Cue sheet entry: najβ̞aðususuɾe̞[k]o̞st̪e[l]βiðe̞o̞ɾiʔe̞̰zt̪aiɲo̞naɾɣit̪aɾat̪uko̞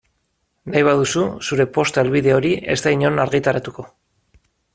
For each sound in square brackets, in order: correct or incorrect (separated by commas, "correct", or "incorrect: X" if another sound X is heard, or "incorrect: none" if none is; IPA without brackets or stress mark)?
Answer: incorrect: p, correct